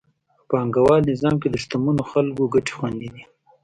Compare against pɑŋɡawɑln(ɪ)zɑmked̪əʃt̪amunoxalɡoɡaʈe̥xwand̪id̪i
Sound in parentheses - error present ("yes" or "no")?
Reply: no